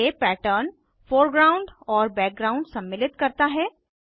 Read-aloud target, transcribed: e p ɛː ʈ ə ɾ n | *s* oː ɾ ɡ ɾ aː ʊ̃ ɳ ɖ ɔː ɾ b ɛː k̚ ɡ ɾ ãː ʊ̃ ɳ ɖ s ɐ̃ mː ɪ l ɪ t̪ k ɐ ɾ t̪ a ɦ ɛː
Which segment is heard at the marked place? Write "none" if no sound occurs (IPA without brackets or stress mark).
f